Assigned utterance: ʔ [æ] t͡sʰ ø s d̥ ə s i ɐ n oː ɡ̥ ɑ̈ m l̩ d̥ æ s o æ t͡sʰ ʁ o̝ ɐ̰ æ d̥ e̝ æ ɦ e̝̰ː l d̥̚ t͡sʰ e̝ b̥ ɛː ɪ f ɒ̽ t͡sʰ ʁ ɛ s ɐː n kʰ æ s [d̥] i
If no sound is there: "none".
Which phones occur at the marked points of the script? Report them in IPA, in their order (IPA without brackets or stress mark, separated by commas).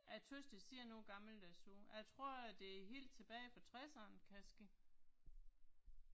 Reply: æ, ɡ̥